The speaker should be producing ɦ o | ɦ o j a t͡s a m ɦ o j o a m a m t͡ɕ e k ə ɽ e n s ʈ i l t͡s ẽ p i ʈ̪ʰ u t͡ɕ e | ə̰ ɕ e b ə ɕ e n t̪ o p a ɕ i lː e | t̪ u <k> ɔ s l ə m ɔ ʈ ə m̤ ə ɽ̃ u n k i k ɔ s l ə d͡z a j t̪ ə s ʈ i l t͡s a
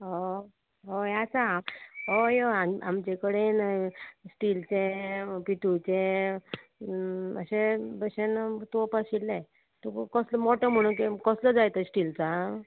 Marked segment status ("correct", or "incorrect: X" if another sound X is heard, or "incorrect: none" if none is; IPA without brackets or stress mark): correct